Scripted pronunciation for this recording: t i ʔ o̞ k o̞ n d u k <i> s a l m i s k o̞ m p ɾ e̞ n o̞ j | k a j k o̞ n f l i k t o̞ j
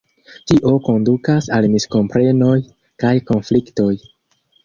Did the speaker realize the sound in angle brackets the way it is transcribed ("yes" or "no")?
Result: no